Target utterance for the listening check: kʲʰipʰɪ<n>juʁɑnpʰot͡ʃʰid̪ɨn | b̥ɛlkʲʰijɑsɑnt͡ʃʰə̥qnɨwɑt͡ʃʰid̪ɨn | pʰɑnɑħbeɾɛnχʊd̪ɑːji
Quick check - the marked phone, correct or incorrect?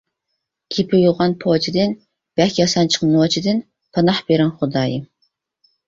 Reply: incorrect